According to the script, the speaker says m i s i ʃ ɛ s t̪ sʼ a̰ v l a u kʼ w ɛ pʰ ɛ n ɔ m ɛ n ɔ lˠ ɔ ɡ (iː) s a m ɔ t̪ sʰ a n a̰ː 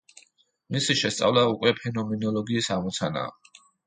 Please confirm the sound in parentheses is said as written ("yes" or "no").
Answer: yes